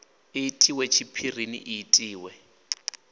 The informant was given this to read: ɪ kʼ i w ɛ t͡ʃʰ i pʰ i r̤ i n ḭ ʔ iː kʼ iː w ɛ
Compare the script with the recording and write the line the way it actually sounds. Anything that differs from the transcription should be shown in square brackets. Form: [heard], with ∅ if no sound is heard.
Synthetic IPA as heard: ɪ [tʼ] i w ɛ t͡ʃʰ i pʰ i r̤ i n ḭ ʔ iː [tʼ] iː w ɛ